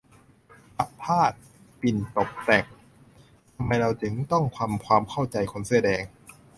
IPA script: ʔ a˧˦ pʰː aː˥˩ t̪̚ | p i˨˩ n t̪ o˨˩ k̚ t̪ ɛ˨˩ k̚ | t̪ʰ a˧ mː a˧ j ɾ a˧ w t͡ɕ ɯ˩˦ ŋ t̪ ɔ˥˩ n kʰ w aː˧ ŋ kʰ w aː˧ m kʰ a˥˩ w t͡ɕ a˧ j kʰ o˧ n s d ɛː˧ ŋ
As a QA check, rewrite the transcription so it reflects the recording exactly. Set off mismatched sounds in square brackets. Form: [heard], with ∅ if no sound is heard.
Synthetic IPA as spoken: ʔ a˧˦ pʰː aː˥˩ t̪̚ | p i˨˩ n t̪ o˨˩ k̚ t̪ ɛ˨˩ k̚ | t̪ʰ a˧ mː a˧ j ɾ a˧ w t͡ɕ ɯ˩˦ ŋ t̪ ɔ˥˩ [ŋ] kʰ w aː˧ [m] kʰ w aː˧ m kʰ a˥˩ w t͡ɕ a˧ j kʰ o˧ n s d ɛː˧ ŋ